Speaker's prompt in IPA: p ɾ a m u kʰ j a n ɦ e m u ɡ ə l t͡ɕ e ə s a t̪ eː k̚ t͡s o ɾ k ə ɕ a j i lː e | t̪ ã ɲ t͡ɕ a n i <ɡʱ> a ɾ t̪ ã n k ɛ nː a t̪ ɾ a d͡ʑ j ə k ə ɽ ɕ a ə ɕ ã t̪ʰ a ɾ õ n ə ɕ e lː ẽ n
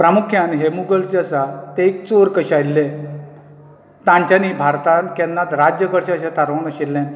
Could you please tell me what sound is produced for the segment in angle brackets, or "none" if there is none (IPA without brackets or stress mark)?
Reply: bʱ